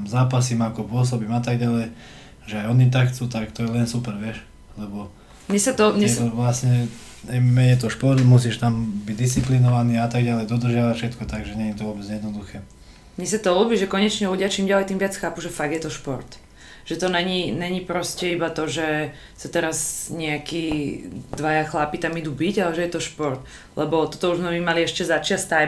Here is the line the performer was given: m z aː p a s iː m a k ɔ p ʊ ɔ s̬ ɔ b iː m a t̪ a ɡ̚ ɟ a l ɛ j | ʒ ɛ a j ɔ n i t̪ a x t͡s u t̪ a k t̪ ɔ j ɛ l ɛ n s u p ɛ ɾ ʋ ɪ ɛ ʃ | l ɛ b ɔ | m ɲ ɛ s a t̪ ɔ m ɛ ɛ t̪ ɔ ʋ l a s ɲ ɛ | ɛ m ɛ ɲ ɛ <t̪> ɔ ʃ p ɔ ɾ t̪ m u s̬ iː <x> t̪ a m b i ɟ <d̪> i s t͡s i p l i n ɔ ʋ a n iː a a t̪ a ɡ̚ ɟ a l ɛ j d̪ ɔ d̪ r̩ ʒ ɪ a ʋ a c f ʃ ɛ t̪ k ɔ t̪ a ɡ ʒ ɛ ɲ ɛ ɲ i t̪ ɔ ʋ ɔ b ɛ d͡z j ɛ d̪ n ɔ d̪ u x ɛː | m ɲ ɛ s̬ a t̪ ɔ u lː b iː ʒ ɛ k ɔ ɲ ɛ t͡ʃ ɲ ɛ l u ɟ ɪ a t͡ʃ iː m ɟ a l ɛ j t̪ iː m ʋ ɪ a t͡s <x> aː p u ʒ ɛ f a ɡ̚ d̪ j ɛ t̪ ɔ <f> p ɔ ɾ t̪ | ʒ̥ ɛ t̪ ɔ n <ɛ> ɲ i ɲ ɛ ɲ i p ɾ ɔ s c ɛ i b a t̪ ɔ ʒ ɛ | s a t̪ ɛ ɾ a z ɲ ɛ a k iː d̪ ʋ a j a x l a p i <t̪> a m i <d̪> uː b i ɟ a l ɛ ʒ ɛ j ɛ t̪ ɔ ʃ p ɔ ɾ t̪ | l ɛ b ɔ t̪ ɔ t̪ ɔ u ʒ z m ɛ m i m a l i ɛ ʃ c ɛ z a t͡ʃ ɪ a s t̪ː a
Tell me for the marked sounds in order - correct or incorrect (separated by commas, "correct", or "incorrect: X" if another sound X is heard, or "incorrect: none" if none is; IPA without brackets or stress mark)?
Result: correct, incorrect: ʃ, correct, correct, incorrect: ʃ, correct, correct, correct